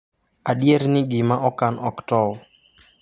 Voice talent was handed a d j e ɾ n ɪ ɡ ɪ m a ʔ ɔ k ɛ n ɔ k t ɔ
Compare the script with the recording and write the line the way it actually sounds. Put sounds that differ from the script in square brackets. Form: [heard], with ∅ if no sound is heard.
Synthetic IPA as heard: a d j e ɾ n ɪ ɡ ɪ m a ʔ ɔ k [a] n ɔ k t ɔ